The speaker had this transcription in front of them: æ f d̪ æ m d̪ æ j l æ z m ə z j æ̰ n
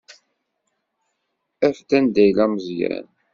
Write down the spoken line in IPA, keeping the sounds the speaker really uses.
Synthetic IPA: æ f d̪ æ n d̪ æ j l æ m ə z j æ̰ n